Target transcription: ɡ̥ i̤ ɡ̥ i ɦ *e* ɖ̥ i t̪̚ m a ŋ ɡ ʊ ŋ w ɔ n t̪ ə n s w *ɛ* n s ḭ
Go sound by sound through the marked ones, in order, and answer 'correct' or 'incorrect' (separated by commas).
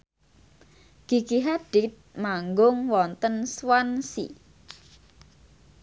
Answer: incorrect, incorrect